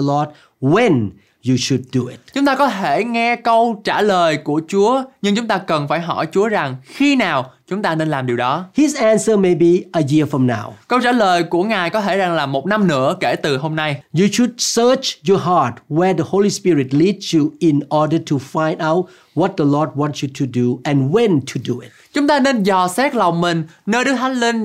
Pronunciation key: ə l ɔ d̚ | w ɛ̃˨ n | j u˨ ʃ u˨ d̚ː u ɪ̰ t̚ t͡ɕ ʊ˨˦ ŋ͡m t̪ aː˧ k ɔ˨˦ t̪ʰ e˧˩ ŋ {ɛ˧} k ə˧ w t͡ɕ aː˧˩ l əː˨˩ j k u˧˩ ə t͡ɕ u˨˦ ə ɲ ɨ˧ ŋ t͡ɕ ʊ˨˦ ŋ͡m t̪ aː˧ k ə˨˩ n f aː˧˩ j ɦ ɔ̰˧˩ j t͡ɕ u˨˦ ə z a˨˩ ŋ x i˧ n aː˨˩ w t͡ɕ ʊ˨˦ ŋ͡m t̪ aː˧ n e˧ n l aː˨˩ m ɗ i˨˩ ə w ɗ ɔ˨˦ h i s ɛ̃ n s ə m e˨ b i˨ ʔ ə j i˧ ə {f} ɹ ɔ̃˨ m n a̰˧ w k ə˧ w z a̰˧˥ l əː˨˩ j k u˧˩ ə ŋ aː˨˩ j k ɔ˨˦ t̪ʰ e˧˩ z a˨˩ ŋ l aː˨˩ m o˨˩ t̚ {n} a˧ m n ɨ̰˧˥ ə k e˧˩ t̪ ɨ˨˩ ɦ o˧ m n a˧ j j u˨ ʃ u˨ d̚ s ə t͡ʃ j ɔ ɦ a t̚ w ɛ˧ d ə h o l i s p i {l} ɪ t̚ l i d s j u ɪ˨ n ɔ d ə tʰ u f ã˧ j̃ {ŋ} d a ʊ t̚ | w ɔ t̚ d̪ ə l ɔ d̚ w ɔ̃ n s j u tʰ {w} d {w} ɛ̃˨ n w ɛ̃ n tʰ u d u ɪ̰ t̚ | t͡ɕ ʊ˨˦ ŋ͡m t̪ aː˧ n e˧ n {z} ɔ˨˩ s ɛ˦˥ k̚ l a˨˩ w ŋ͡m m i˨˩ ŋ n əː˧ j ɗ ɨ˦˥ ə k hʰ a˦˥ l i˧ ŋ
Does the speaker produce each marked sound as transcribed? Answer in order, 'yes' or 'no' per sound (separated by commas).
yes, yes, yes, no, no, no, no, yes